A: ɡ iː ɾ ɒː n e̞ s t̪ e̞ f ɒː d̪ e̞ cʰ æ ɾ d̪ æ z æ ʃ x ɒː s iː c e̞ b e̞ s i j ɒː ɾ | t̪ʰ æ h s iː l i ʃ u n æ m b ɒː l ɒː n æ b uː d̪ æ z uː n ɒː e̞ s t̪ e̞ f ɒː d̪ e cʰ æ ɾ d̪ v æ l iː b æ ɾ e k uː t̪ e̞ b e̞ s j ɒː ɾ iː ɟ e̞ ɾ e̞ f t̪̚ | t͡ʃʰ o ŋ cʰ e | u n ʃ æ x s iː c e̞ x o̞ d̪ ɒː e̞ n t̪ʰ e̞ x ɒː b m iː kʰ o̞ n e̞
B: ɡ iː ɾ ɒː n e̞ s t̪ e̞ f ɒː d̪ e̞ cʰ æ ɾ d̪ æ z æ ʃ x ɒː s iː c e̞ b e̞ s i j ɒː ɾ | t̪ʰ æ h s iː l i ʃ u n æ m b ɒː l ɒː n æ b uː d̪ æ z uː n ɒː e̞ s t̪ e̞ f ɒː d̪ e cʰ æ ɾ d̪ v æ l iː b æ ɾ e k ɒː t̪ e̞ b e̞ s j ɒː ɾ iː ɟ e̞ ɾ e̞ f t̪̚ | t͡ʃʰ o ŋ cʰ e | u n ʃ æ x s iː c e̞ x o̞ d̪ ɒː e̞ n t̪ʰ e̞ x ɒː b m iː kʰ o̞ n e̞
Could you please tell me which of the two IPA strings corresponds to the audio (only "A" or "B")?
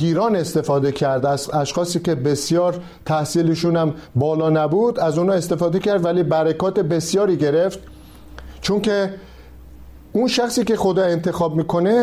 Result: B